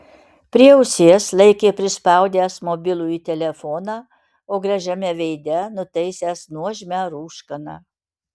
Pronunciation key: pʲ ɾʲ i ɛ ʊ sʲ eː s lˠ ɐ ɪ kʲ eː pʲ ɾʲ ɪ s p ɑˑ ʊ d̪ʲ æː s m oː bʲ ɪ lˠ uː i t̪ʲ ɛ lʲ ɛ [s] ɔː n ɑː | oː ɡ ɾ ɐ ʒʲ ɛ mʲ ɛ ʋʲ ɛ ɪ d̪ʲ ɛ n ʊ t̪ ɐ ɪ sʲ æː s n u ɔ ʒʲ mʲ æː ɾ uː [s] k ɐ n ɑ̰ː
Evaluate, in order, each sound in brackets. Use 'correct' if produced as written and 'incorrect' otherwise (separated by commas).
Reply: incorrect, incorrect